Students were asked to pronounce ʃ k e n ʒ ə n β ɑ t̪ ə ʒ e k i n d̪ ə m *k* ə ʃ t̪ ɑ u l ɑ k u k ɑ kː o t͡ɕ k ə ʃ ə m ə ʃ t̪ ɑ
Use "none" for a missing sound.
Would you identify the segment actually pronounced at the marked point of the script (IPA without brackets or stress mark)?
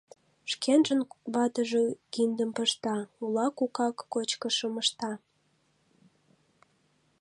p